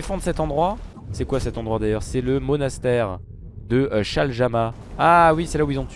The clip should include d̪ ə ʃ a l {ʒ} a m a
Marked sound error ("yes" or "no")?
no